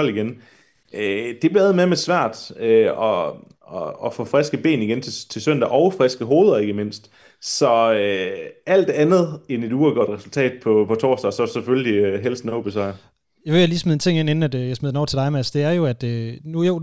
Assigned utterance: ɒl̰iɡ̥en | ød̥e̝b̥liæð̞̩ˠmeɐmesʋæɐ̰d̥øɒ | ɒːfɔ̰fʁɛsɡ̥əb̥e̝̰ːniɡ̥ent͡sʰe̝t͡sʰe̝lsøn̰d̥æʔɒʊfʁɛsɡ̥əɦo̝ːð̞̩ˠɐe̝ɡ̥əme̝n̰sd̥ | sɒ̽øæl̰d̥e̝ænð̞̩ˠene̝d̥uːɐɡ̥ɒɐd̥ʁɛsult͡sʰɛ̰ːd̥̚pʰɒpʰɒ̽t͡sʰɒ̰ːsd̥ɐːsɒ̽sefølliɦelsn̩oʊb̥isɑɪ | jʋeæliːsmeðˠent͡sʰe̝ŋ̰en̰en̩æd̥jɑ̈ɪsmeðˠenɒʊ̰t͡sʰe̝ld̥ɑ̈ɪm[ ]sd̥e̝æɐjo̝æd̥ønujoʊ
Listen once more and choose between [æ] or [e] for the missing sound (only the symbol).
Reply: æ